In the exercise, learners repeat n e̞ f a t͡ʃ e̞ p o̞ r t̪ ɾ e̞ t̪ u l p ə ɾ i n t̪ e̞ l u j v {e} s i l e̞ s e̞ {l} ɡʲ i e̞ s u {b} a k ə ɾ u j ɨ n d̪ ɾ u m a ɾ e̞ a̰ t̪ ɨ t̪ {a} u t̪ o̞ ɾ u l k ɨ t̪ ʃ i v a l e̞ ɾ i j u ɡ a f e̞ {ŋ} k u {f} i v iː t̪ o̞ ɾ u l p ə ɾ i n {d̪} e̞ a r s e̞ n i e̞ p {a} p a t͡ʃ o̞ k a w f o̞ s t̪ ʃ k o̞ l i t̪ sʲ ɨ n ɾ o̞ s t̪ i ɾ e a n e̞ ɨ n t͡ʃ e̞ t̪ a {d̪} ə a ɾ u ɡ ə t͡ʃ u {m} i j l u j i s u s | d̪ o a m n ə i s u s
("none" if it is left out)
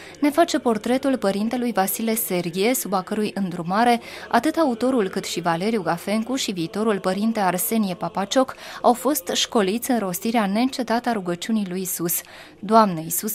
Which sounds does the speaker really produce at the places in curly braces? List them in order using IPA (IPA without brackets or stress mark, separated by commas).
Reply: a, r, b, a, ŋ, ʃ, t̪, a, t̪, n